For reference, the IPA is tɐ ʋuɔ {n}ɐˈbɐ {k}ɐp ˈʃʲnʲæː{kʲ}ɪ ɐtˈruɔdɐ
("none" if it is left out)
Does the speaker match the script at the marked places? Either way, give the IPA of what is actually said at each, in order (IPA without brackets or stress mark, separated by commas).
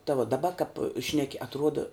d, k, kʲ